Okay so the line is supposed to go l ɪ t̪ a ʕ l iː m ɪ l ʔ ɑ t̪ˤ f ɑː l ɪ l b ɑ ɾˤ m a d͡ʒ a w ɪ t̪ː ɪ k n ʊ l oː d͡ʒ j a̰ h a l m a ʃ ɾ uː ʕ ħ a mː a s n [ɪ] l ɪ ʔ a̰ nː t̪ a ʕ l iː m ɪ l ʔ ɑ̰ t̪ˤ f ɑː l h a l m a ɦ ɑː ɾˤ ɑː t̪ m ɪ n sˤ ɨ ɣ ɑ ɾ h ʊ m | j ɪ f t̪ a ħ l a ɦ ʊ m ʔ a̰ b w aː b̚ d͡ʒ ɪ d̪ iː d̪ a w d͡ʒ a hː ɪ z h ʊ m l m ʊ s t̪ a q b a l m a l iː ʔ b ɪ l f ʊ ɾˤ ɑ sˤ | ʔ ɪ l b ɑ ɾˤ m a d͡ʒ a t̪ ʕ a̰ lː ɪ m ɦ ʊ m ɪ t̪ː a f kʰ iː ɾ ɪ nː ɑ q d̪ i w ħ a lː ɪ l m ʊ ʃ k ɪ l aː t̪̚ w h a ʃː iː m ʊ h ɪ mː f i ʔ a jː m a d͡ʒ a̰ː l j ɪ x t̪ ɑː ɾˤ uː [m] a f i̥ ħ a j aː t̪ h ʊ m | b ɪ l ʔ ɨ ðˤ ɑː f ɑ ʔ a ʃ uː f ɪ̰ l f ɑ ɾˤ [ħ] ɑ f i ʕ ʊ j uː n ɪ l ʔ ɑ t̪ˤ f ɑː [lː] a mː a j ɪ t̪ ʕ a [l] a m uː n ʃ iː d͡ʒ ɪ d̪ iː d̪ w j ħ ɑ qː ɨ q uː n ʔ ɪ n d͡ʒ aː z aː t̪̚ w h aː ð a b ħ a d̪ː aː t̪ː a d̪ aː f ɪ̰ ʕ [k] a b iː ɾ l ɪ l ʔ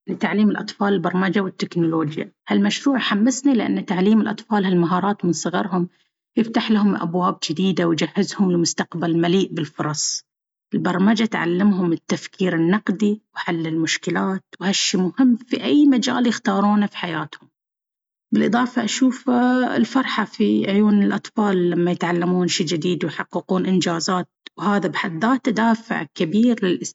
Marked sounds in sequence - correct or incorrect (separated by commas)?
incorrect, incorrect, correct, correct, incorrect, correct